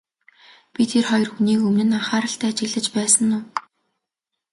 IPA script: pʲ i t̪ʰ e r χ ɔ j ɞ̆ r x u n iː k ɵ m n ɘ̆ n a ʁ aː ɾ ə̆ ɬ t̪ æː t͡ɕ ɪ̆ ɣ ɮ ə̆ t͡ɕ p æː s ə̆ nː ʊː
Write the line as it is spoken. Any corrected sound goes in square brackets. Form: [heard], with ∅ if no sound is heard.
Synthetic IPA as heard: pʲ i t̪ʰ e r χ ɔ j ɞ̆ r x u n iː k ɵ m n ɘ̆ n a [χ] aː ɾ ə̆ ɬ t̪ æː t͡ɕ ɪ̆ ɣ ɮ ə̆ t͡ɕ p æː s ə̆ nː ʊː